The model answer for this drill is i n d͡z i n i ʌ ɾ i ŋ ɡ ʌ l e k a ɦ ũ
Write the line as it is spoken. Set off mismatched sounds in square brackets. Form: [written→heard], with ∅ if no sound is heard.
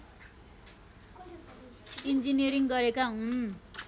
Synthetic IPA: i n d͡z i n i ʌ ɾ i ŋ ɡ ʌ [l→ɾ] e k a ɦ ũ